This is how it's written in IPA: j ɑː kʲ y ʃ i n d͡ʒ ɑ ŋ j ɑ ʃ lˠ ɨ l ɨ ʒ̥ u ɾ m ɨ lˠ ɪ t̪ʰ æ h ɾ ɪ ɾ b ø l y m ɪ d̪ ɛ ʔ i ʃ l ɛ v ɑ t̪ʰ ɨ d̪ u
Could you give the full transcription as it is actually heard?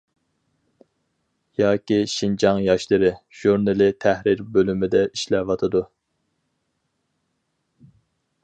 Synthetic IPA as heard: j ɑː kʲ i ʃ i n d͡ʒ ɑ ŋ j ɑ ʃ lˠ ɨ ɾ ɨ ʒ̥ u ɾ n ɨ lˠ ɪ t̪ʰ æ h ɾ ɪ ɾ b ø l y m ɪ d̪ ɛ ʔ i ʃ l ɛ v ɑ t̪ʰ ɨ d̪ u